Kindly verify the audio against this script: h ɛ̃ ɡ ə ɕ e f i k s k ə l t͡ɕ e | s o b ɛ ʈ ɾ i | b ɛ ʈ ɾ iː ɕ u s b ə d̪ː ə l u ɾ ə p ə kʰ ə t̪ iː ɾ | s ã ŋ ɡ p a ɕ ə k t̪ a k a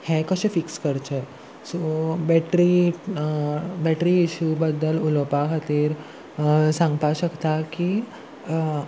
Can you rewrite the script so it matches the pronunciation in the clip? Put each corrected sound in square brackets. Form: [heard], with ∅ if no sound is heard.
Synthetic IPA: h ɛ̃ [k] ə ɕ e f i k s k ə [ɾ] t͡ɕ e | s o b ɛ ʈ ɾ i | b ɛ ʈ ɾ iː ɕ u [∅] b ə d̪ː ə l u [l] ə p [a] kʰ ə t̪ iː ɾ | s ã ŋ ɡ p a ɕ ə k t̪ a k [i]